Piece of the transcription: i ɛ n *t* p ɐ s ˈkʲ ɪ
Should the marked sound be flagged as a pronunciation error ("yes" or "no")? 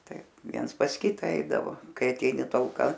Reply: yes